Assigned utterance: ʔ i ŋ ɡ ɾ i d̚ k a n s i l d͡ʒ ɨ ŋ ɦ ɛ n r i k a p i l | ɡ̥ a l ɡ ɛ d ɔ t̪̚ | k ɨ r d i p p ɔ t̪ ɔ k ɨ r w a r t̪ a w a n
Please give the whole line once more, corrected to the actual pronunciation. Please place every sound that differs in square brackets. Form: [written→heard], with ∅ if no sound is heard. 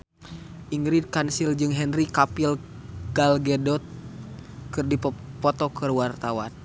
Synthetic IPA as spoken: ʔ i ŋ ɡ ɾ i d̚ k a n s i l d͡ʒ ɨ ŋ ɦ ɛ n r i k a p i l | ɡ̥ a l ɡ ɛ d ɔ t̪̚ | k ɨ r d i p p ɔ t̪ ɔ k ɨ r w a r t̪ a w a n